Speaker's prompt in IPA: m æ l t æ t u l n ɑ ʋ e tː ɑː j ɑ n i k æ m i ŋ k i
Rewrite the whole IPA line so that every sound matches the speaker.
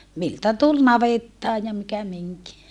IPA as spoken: m i l t æ t u l n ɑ ʋ e tː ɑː j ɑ m i k æ m i ŋ k i